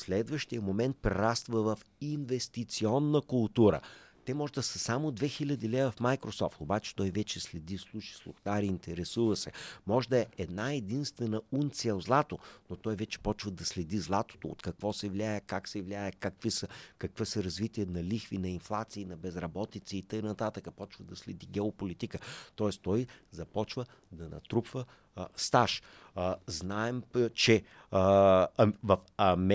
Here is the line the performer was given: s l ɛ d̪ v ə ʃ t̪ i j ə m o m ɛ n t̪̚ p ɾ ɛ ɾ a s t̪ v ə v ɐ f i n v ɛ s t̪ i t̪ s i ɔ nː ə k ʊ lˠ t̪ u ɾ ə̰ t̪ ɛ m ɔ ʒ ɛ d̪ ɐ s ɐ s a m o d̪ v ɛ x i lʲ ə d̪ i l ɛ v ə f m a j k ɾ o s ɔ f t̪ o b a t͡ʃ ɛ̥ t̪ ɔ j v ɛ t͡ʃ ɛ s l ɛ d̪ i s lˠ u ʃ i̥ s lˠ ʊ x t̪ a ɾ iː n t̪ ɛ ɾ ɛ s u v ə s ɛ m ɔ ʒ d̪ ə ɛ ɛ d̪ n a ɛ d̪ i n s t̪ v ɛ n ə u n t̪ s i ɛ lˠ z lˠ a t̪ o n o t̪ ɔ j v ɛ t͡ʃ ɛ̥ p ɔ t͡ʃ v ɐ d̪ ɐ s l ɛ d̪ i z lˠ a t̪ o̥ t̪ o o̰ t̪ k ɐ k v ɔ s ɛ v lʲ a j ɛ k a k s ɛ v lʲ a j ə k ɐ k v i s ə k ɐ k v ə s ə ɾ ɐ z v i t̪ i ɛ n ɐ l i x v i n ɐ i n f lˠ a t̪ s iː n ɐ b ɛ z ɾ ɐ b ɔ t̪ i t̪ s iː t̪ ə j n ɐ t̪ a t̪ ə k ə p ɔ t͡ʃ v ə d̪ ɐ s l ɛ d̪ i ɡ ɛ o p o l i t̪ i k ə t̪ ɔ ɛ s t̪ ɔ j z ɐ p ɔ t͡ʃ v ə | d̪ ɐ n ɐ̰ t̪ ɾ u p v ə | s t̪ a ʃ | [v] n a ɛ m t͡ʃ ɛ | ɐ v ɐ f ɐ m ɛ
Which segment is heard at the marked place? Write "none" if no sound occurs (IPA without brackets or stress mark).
z